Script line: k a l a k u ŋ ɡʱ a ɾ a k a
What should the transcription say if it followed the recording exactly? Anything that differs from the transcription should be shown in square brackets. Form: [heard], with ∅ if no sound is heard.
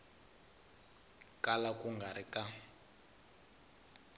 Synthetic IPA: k a l a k u ŋ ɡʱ a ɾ [i] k a